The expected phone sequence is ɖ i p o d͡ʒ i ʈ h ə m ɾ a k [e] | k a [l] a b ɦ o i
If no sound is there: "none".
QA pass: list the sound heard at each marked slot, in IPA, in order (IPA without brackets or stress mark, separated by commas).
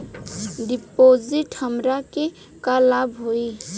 e, l